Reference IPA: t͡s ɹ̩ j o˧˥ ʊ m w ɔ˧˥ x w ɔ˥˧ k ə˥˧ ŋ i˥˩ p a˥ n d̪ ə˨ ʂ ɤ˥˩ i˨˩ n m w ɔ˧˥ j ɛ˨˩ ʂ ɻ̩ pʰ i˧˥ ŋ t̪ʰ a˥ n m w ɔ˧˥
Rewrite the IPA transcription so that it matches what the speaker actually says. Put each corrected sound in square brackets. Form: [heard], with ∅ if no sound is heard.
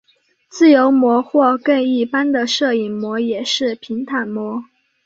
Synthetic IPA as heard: t͡s ɹ̩ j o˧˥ ʊ m w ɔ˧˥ x w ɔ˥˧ k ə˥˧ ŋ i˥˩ p a˥ n d̪ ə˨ ʂ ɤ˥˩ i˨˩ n m w ɔ˧˥ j ɛ˨˩ ʂ ɻ̩ pʰ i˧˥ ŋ t̪ʰ [a˨˩] n m w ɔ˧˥